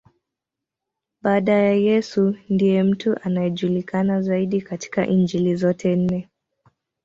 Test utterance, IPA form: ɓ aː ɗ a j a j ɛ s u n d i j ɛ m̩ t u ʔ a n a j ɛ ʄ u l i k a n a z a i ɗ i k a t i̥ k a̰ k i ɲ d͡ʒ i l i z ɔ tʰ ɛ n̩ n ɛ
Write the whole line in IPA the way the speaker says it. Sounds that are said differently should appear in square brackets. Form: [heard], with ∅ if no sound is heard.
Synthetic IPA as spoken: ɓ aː ɗ a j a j ɛ s u n d i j ɛ m̩ t u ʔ a n a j ɛ ʄ u l i k a n a z a i ɗ i k a t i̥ k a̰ [ʔ] i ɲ d͡ʒ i l i z ɔ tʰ ɛ n̩ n ɛ